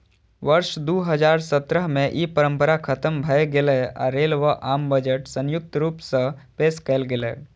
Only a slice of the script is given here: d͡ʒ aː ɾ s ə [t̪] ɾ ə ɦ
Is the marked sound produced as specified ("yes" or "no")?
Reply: yes